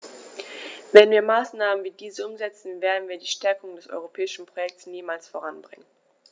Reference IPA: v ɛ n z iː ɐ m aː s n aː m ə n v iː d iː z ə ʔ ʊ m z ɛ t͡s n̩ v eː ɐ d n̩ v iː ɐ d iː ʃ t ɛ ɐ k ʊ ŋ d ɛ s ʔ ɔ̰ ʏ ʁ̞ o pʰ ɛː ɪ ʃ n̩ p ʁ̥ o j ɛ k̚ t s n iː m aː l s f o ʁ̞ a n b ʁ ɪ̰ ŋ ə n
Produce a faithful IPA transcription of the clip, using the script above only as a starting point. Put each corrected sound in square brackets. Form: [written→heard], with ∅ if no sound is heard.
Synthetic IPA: v ɛ n [z→v] iː ɐ m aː s n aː m ə n v iː d iː z ə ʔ ʊ m z ɛ t͡s n̩ v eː ɐ d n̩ v iː ɐ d iː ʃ t ɛ ɐ k ʊ ŋ d ɛ s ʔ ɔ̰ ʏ ʁ̞ o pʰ ɛː ɪ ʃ n̩ p ʁ̥ o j ɛ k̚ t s n iː m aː l s f o ʁ̞ a n b ʁ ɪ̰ ŋ ə n